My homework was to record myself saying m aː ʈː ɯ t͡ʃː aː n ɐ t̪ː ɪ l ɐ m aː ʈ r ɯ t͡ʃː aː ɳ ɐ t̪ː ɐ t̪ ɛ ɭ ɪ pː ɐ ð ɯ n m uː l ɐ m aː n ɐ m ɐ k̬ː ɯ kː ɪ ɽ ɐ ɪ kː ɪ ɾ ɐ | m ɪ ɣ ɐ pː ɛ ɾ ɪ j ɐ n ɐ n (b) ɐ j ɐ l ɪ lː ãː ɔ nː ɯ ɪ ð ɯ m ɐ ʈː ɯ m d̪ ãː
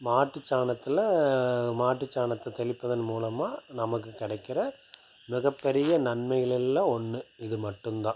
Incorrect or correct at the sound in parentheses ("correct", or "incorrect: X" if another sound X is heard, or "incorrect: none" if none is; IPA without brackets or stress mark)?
incorrect: m